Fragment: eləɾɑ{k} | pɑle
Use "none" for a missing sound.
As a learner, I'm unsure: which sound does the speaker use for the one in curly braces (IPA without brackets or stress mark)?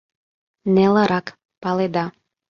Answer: k